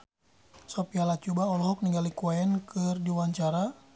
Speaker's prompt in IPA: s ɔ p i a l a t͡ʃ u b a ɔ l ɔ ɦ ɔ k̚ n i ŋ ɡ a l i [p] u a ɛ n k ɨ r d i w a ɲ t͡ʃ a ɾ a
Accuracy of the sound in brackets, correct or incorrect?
incorrect